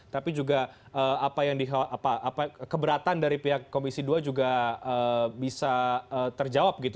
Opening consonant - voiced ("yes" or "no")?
no